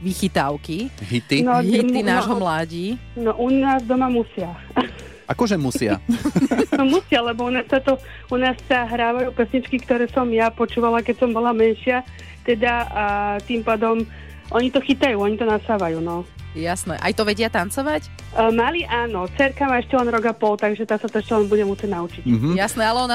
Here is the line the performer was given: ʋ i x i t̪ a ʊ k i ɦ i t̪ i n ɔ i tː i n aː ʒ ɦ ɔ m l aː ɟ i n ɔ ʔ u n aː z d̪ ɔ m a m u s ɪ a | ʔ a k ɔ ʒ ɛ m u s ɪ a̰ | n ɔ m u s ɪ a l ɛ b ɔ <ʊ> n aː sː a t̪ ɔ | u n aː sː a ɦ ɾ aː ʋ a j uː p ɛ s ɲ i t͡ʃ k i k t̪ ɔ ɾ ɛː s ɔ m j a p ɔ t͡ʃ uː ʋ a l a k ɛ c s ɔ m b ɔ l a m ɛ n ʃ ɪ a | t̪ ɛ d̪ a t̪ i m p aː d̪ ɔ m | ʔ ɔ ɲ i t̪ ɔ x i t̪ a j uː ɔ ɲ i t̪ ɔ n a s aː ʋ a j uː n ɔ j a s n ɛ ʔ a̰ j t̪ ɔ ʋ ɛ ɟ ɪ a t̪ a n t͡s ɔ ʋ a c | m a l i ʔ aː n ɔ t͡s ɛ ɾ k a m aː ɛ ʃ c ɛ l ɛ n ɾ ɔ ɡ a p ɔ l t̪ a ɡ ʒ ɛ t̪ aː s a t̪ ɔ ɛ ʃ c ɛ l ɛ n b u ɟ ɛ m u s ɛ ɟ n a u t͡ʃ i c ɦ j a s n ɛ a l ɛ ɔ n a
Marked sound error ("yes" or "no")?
yes